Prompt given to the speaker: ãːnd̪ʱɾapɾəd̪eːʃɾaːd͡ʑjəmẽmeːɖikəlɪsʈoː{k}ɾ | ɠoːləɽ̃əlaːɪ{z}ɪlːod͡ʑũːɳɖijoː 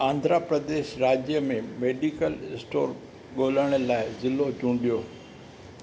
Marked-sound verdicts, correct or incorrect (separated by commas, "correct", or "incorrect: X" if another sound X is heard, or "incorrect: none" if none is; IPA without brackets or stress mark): incorrect: none, correct